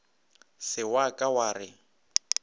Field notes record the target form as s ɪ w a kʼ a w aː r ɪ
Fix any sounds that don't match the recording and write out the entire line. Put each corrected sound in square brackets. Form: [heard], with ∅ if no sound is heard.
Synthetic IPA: s ɪ w a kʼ a w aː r ɪ